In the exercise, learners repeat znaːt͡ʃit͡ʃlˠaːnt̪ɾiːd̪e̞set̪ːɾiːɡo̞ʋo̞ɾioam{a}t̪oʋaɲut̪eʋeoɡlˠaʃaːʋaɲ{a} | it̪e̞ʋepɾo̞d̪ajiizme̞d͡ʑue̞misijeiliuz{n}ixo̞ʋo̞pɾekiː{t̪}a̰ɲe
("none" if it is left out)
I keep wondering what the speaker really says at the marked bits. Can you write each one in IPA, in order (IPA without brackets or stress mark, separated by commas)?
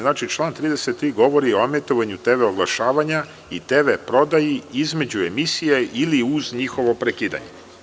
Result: e, a, ɲ, d̪